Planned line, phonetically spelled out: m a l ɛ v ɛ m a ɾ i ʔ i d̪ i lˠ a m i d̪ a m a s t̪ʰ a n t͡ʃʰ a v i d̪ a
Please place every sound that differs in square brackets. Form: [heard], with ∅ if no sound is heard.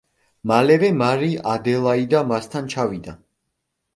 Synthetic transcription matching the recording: m a l ɛ v ɛ m a ɾ i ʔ [a] d̪ [ɛ] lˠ a [∅] i d̪ a m a s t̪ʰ a n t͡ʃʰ a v i d̪ a